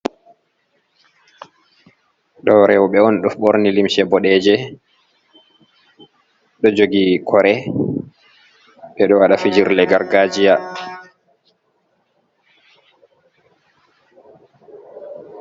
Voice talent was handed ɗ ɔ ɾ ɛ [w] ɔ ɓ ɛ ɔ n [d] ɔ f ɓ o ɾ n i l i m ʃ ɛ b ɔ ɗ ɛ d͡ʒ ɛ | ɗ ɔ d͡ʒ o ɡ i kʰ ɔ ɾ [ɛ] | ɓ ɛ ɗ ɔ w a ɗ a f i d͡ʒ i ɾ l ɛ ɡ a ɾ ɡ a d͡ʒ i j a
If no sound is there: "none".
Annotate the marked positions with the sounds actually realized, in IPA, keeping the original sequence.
w, ɗ, ɛ

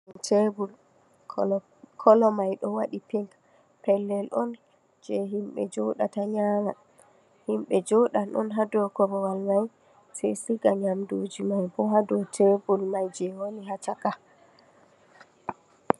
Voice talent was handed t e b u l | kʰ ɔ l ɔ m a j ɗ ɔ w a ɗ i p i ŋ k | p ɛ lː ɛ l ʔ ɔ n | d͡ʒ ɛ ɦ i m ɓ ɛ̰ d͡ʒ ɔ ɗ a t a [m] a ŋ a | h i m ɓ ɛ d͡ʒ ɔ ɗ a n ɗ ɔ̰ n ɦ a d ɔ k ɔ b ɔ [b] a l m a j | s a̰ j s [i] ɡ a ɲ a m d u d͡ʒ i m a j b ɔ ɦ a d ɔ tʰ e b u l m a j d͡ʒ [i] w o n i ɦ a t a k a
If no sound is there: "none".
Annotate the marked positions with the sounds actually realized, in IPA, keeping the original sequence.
ɲ, w, i, ɛ

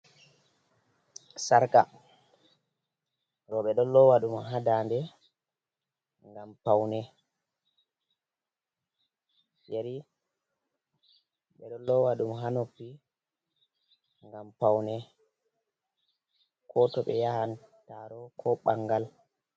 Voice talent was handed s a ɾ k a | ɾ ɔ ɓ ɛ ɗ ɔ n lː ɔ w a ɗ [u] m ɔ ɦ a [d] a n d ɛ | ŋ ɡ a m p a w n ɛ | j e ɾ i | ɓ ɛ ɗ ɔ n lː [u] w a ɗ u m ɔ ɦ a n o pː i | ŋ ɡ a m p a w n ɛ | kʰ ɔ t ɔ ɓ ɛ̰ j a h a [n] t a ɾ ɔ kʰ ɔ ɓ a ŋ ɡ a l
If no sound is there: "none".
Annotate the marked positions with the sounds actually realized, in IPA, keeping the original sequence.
u, d, ɔ, n

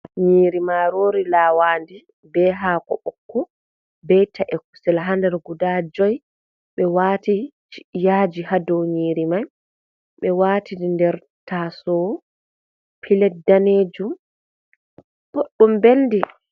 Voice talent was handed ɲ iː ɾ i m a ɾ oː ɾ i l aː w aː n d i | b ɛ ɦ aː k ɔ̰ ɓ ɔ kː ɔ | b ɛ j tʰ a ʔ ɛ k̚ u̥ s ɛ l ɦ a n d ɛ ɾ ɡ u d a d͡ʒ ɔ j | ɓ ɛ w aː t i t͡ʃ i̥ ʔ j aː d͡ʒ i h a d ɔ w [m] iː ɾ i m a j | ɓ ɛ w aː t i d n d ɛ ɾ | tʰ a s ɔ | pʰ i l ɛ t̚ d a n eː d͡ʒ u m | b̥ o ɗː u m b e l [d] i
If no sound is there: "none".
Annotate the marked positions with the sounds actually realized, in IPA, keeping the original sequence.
ɲ, d

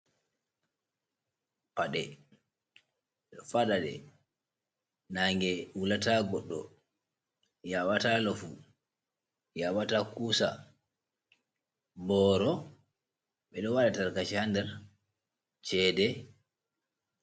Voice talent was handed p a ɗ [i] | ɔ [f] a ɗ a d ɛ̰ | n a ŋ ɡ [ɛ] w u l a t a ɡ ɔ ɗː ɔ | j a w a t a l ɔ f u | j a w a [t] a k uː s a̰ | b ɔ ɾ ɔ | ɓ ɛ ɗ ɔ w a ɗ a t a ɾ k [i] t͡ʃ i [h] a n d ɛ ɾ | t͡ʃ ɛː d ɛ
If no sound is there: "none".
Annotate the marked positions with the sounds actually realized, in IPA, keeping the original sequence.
ɛ, f, ɛ, t, a, h

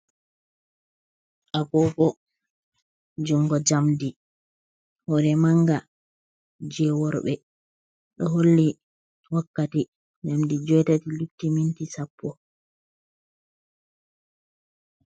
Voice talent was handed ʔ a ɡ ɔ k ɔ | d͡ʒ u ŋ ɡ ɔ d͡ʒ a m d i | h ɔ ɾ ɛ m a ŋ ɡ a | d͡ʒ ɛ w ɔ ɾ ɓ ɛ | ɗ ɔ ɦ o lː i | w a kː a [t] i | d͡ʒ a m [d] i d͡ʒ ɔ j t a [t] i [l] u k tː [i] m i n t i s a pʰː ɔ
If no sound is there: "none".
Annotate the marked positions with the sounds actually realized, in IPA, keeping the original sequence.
t, d, t, l, i

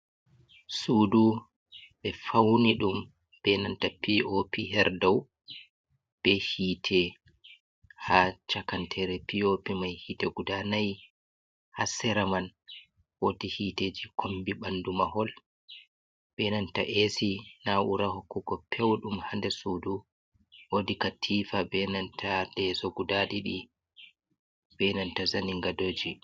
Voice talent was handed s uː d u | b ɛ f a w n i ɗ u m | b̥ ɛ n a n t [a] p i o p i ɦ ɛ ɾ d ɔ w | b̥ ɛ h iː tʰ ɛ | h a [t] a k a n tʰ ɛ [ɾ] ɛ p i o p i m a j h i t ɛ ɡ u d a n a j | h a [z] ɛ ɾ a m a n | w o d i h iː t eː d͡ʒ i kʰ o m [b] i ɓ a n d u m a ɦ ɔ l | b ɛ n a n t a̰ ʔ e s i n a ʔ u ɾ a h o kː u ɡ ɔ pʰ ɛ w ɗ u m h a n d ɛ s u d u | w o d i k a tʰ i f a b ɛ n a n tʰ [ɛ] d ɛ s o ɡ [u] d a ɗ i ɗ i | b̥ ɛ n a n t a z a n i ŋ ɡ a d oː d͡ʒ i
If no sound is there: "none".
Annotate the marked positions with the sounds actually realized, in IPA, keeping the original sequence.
a, t͡ʃ, ɾ, s, b, a, u

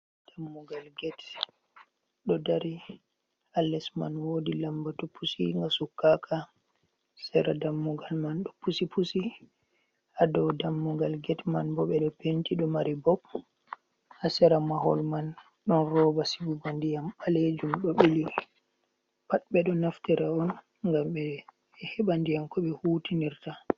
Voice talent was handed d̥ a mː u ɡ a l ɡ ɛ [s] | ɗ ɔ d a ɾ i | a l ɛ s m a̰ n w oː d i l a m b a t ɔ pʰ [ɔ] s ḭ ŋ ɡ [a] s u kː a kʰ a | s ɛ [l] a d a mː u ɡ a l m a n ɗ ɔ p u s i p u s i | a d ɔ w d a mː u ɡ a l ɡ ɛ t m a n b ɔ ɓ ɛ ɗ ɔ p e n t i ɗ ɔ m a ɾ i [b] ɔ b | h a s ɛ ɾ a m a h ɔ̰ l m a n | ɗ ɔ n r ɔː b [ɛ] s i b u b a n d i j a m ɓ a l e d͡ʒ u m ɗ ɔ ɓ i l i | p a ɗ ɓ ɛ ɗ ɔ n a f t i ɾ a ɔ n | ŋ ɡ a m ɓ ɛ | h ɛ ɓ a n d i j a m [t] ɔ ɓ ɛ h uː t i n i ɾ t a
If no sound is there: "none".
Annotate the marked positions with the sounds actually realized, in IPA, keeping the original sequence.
t, u, a, ɾ, b, a, k

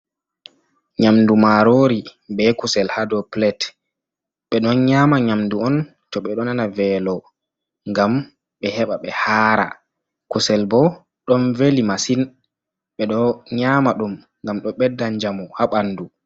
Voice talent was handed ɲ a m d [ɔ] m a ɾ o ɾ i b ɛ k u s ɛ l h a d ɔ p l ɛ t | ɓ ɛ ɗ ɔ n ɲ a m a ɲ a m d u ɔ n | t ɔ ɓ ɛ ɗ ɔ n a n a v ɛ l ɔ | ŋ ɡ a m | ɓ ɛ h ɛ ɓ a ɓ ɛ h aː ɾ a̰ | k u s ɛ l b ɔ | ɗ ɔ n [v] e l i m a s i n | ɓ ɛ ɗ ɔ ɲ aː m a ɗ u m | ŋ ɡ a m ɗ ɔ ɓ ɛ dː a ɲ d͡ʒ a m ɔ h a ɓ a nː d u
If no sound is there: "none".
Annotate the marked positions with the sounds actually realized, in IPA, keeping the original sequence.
u, v

